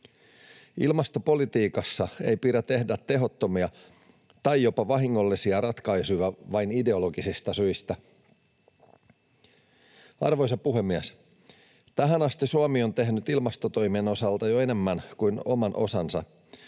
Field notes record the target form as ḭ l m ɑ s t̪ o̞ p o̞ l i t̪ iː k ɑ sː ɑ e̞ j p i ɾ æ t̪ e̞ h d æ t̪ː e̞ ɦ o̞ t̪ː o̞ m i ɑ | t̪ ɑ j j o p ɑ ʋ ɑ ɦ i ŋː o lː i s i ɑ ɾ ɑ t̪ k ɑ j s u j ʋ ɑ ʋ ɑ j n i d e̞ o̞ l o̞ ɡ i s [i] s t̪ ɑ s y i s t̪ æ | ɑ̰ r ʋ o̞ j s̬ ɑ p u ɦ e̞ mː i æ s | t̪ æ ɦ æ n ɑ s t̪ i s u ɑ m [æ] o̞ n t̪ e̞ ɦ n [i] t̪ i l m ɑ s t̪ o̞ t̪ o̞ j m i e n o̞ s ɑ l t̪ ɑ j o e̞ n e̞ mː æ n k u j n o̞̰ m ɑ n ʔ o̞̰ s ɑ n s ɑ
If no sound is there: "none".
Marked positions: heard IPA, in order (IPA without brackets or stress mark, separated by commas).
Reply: i, i, y